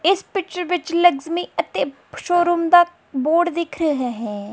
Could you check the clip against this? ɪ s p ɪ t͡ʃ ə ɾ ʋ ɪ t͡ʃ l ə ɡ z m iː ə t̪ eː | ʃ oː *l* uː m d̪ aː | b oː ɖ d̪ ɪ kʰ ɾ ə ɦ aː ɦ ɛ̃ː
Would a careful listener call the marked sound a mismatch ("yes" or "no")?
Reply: yes